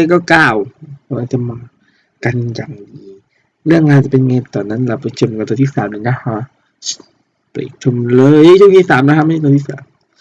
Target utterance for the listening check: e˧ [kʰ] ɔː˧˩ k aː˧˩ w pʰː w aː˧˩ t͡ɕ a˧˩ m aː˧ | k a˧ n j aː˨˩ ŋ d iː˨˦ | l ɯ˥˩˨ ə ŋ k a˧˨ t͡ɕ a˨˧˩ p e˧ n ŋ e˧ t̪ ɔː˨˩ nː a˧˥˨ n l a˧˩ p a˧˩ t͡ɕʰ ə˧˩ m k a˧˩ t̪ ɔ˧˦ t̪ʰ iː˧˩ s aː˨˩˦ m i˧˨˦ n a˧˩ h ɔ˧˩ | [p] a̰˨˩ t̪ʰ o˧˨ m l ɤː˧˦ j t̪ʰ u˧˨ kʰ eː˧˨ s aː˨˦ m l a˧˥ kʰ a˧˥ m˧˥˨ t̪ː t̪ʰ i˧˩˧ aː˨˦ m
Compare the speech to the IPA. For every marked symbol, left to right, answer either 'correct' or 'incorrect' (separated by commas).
incorrect, correct